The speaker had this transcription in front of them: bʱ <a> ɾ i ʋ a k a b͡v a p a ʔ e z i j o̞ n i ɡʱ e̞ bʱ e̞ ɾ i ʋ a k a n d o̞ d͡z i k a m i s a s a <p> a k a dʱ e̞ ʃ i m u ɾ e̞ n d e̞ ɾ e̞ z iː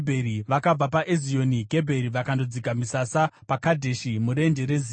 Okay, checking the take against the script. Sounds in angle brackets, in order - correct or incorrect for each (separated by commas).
incorrect, correct